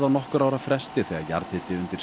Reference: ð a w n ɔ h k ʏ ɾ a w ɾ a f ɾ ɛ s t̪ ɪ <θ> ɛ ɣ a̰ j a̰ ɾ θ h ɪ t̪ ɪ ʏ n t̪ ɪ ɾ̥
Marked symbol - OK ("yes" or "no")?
yes